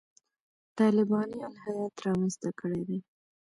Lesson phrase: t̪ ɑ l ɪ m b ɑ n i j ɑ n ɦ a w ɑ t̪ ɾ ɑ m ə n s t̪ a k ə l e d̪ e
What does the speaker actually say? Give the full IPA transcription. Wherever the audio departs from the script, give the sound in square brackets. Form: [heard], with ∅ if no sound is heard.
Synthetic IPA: t̪ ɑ l ɪ [∅] b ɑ n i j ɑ n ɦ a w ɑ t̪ ɾ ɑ m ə n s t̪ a k ə [ɽ] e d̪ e